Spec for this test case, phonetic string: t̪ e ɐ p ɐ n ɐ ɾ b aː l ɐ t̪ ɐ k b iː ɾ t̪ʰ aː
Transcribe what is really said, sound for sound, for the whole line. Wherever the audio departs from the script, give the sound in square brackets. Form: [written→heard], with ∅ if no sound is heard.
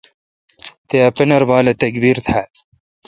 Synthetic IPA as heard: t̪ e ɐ p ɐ n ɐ ɾ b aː l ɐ t̪ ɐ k b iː ɾ t̪ʰ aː